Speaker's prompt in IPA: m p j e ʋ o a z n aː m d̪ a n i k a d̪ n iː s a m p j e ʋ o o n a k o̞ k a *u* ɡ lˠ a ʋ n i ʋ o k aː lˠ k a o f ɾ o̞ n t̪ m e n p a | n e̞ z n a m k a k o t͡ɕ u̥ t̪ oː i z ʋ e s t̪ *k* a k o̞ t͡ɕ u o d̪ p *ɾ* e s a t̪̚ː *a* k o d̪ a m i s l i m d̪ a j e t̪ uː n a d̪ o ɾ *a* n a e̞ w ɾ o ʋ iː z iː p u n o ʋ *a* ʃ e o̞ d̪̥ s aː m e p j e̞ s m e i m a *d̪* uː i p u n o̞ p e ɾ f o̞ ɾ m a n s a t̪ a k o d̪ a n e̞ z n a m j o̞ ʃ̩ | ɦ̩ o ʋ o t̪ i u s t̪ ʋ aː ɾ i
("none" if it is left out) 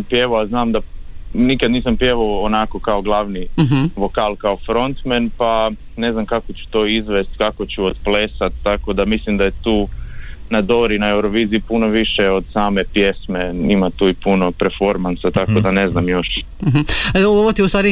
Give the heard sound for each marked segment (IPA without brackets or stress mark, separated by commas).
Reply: o, k, l, a, i, i, t̪